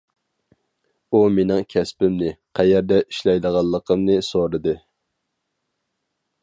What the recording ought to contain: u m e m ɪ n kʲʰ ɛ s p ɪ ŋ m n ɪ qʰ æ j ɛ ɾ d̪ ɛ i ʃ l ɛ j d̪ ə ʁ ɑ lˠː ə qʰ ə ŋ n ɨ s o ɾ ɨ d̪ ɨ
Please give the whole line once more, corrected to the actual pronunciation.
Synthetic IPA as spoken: u m e n ɪ ŋ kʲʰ ɛ s p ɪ m n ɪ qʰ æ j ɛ ɾ d̪ ɛ i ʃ l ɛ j d̪ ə ʁ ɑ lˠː ə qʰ ə m n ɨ s o ɾ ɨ d̪ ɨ